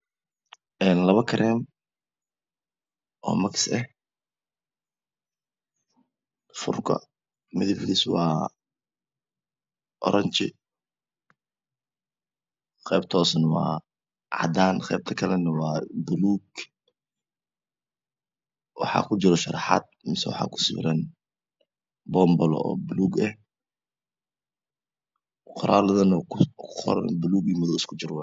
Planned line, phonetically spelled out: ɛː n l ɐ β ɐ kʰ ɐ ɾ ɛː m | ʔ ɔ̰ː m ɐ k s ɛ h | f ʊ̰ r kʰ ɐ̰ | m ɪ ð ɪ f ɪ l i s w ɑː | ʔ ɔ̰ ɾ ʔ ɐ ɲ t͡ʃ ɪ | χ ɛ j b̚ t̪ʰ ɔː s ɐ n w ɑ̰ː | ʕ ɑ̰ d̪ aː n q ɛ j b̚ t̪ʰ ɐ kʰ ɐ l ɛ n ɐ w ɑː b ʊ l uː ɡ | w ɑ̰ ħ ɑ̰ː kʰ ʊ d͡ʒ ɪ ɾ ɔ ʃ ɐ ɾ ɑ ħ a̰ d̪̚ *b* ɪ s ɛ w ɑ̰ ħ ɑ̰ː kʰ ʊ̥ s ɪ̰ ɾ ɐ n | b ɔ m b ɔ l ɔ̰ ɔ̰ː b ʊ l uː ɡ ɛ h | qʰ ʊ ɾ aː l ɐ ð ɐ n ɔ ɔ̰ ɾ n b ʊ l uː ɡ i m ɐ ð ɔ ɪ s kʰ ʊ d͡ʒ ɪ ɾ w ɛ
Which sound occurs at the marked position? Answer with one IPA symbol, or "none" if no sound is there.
m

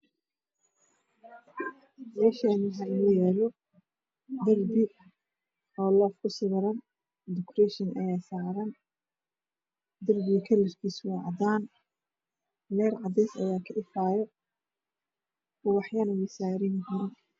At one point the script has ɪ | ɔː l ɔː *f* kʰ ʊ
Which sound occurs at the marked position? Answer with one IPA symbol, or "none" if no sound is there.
f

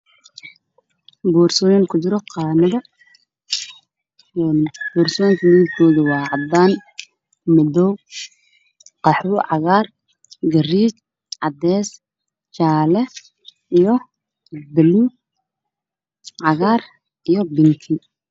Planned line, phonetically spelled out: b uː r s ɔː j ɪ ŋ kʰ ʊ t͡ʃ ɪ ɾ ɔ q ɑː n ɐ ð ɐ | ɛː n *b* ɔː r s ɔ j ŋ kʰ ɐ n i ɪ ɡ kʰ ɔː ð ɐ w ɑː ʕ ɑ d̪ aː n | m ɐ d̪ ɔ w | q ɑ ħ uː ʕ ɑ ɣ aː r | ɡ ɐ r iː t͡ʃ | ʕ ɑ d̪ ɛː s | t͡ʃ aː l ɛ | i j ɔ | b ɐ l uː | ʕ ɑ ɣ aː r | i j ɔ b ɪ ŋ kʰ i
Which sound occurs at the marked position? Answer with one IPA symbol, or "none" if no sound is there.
b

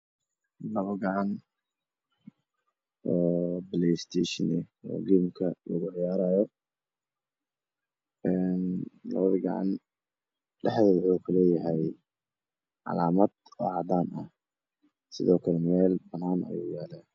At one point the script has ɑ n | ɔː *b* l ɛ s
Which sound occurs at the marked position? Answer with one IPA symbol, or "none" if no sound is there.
b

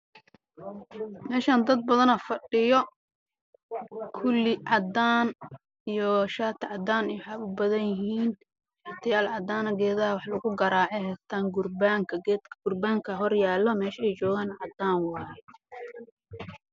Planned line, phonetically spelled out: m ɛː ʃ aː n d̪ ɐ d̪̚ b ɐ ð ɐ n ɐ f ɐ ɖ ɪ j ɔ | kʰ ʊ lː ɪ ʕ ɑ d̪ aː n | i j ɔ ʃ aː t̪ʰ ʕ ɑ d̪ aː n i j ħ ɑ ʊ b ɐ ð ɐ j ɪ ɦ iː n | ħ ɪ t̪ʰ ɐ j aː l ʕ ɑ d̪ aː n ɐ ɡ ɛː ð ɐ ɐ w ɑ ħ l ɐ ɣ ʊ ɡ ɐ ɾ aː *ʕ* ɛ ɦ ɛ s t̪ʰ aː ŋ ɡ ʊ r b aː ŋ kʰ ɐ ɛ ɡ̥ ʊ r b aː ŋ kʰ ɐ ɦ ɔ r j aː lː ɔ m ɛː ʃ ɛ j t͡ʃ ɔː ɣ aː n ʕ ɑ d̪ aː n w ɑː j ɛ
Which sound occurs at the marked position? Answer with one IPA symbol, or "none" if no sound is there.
ʕ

